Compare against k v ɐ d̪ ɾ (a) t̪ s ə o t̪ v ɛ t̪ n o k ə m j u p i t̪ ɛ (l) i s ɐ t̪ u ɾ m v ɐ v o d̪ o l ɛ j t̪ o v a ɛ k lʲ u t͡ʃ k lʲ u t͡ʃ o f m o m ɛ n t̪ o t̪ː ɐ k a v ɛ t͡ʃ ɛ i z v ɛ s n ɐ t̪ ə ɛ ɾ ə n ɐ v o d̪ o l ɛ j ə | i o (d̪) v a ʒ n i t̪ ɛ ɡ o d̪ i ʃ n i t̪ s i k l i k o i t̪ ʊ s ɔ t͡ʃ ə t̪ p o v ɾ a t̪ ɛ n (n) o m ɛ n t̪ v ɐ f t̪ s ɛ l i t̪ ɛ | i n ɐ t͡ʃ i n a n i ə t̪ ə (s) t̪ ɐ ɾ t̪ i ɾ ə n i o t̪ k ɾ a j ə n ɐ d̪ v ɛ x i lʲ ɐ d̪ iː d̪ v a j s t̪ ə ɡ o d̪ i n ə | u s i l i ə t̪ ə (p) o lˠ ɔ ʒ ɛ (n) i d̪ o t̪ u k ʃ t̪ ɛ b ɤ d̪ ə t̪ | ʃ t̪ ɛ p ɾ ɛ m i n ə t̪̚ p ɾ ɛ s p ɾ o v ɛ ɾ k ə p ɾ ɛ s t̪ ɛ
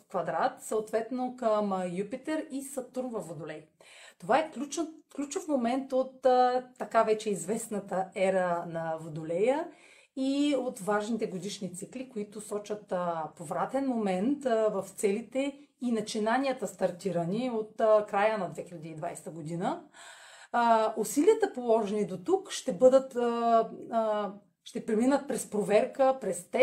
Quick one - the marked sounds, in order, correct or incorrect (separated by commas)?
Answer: correct, incorrect, incorrect, incorrect, correct, correct, correct